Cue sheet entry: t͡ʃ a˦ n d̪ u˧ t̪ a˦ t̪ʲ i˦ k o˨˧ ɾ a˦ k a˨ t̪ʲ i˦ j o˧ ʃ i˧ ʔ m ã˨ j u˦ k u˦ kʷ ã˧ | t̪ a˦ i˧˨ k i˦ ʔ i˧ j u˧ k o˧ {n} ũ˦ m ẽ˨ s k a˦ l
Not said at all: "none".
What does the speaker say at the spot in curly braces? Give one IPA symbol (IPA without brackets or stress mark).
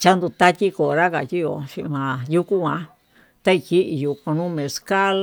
n